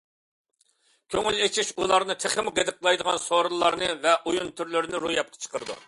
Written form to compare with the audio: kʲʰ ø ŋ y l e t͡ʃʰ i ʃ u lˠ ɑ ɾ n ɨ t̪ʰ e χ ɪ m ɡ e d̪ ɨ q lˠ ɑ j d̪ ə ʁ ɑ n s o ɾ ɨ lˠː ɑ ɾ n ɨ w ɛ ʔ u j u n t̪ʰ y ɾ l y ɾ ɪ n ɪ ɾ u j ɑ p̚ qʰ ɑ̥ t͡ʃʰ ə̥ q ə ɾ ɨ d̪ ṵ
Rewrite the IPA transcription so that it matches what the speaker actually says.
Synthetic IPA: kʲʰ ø ŋ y l e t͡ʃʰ i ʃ u lˠ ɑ ɾ n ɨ t̪ʰ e χ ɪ m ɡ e d̪ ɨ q lˠ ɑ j d̪ ə ʁ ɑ n s o ɾ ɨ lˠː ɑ ɾ n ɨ v ɛ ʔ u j u n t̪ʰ y ɾ l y ɾ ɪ n ɪ ɾ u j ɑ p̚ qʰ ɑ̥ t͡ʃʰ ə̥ q ə ɾ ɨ d̪ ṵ

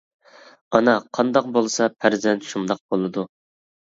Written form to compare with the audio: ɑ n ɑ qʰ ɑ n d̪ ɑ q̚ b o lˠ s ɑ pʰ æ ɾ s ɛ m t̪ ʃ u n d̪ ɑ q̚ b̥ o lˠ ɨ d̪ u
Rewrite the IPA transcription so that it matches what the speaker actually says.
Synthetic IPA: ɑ n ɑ qʰ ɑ n d̪ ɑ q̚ b o lˠ s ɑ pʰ æ ɾ z ɛ n t̪ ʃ u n d̪ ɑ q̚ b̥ o lˠ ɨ d̪ u

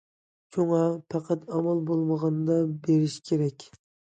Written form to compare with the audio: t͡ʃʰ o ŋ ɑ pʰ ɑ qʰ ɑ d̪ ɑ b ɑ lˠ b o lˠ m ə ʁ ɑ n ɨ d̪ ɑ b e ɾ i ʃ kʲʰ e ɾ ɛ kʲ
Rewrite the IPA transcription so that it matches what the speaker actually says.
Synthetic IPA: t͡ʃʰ o ŋ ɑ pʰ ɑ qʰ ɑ t̪ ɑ m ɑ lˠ b o lˠ m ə ʁ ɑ n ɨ d̪ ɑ b e ɾ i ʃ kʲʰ e ɾ ɛ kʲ

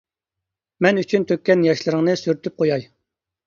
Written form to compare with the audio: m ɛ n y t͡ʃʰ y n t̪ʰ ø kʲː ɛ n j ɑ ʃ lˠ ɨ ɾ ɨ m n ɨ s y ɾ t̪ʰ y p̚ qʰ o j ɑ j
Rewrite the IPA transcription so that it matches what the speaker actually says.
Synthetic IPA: m ɛ n y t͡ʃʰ y n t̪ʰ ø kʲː ɛ n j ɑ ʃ lˠ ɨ ɾ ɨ ŋ n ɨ s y ɾ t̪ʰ y p̚ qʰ o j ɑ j

